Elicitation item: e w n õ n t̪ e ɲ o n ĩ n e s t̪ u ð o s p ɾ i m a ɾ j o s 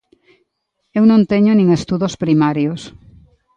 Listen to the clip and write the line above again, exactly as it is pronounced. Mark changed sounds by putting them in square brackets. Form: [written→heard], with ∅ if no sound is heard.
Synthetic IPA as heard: e w n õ n t̪ e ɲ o n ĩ [n→ŋ] e s t̪ u ð o s p ɾ i m a ɾ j o s